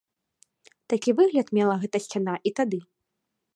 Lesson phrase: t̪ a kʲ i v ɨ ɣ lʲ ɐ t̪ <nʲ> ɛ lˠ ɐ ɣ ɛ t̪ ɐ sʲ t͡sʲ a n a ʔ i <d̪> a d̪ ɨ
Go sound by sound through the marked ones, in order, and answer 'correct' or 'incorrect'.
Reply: incorrect, incorrect

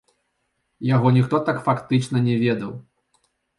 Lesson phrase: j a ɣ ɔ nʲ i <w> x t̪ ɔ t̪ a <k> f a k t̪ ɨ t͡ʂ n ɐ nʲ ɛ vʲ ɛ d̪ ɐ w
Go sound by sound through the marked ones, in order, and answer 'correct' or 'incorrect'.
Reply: incorrect, correct

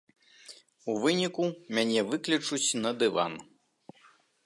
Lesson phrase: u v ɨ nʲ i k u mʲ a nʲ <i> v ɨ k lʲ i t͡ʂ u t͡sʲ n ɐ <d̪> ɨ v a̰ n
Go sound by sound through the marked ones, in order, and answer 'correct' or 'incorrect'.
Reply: incorrect, correct

